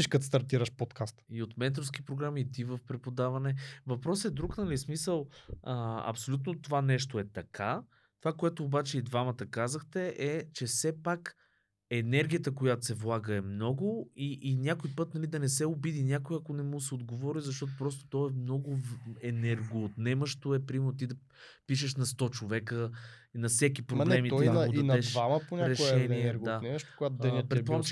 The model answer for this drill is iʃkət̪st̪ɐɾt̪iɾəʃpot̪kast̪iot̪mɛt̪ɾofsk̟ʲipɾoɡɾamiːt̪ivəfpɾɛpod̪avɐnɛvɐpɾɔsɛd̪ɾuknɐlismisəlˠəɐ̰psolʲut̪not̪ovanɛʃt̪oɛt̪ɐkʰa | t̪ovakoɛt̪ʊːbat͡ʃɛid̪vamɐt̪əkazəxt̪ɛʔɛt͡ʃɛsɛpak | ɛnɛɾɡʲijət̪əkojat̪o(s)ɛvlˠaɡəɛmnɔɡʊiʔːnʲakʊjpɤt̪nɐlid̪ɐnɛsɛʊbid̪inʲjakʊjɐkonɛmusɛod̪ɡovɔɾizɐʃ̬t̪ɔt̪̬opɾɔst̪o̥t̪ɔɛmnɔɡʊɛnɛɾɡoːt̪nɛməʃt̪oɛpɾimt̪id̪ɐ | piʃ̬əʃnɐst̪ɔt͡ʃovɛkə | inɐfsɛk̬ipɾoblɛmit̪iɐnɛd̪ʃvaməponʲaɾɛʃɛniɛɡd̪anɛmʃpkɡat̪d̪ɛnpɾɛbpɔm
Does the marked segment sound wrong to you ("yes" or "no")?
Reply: no